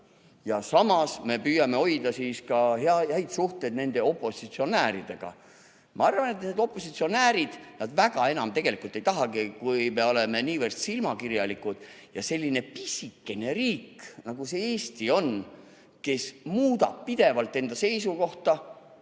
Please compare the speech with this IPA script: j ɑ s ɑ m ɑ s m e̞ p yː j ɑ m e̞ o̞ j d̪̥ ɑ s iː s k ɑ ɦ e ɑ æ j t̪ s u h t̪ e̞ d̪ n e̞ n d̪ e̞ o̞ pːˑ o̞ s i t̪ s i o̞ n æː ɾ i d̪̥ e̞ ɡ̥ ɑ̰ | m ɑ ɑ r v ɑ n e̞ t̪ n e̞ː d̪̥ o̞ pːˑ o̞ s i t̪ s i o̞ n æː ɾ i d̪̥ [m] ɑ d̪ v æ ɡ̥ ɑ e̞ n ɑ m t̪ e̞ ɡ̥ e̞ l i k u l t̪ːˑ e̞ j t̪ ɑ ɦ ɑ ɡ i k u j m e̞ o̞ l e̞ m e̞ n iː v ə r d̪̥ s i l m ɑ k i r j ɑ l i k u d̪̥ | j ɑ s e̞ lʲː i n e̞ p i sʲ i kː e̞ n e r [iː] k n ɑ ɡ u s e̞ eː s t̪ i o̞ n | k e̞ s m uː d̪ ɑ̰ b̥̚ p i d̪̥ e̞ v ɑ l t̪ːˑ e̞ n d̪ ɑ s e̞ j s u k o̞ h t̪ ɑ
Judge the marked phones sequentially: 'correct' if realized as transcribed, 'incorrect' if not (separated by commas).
incorrect, correct